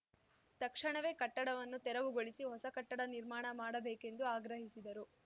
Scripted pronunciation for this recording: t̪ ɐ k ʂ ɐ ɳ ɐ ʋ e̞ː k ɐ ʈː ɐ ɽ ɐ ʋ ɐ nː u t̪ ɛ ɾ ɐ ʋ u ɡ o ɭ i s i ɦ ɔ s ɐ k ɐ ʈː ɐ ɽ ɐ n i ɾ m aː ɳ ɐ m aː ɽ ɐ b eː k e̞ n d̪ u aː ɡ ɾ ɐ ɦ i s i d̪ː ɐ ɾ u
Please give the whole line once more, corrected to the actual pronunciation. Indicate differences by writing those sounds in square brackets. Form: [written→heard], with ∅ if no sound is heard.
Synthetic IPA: t̪ ɐ k ʂ ɐ ɳ ɐ ʋ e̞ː k ɐ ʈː ɐ ɽ ɐ ʋ ɐ nː u t̪ ɛ ɾ ɐ ʋ u ɡ o ɭ i s i ɦ ɔ s ɐ k ɐ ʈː ɐ ɽ ɐ n i ɾ m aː ɳ ɐ m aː ɽ ɐ b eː k e̞ n d̪ u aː ɡ ɾ ɐ ɦ i s i [d̪ː→d̪] ɐ ɾ u